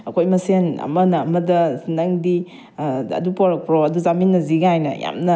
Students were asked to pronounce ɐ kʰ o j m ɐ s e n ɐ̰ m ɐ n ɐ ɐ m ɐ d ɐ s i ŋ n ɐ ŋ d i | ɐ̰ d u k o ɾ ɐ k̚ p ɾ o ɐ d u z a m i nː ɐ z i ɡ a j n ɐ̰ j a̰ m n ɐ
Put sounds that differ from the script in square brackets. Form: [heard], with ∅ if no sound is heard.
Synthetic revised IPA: ɐ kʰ o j m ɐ s e n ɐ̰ m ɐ n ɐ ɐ m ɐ d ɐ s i [∅] n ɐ ŋ d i | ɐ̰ d u [p] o ɾ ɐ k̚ p ɾ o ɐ d u z a m i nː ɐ z i ɡ a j n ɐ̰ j a̰ m n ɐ